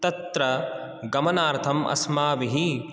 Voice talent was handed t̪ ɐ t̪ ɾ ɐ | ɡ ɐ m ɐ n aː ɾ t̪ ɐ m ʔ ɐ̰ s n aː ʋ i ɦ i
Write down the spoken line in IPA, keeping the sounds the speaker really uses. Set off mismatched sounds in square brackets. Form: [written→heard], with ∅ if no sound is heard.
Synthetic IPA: t̪ ɐ t̪ ɾ ɐ | ɡ ɐ m ɐ n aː ɾ [t̪→t̪ʰ] ɐ m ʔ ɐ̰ s [n→m] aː ʋ i ɦ i